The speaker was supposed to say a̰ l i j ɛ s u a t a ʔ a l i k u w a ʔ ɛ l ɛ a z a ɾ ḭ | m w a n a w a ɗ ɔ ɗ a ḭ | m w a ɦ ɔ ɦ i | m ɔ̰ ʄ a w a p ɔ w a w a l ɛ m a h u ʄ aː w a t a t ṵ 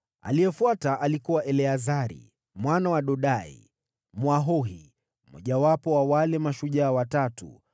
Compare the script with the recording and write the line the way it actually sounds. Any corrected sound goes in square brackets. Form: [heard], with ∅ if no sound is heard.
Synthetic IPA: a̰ l i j ɛ [f] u a t a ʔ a l i k u w a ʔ ɛ l ɛ a z a ɾ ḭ | m w a n a w a ɗ ɔ ɗ a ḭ | m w a ɦ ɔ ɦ i | m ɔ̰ ʄ a w a p ɔ w a w a l ɛ m a [ʃ] u ʄ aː w a t a t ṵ